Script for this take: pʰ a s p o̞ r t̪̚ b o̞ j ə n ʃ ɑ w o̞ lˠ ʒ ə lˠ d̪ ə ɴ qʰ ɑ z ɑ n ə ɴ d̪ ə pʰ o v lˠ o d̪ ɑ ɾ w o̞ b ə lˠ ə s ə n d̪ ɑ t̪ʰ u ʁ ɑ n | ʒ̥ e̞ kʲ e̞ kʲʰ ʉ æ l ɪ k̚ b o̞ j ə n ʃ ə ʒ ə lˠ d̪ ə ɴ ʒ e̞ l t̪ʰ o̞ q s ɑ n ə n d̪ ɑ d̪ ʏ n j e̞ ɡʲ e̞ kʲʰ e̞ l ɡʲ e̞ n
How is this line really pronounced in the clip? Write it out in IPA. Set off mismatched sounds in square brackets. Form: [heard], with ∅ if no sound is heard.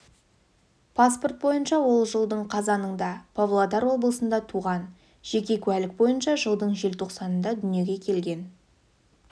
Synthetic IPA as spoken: pʰ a s p o̞ r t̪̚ b o̞ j ə n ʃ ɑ w o̞ lˠ ʒ ə lˠ d̪ ə ɴ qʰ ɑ z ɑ n ə ɴ d̪ [ɑ] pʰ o v lˠ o d̪ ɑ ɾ w o̞ b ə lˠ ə s ə n d̪ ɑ t̪ʰ u ʁ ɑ n | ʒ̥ e̞ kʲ e̞ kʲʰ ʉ æ l ɪ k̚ b o̞ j ə n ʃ [ɑ] ʒ ə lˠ d̪ ə ɴ ʒ e̞ l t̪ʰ o̞ q s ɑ n ə n d̪ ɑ d̪ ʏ n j e̞ ɡʲ e̞ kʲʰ e̞ l ɡʲ e̞ n